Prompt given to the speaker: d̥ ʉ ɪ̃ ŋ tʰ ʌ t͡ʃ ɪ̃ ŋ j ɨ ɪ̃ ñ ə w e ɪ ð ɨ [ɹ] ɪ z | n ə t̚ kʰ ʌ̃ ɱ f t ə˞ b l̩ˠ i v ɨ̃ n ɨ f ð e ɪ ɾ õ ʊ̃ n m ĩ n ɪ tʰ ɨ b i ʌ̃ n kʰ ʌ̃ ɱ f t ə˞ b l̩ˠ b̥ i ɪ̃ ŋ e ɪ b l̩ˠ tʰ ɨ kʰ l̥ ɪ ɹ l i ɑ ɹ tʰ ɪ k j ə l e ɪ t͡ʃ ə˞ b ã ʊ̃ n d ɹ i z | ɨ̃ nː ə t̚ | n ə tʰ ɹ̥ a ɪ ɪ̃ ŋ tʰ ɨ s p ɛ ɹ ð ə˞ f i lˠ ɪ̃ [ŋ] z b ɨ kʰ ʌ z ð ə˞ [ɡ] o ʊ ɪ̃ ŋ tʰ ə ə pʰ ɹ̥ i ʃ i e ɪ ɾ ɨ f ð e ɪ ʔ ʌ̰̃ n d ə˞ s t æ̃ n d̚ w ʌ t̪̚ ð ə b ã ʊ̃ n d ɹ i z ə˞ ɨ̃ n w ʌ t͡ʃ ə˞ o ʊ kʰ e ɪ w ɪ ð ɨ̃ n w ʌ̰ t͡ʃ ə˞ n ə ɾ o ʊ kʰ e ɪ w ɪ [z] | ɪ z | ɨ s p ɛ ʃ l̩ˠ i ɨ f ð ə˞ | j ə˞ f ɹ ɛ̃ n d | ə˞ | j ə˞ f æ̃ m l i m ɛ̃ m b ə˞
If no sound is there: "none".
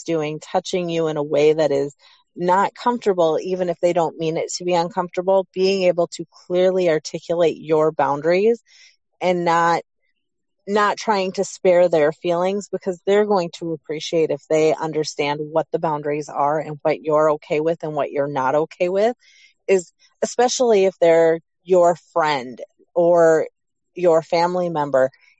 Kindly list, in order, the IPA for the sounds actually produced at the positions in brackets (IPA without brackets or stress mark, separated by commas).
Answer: ɾ, ŋ, ɡ, ð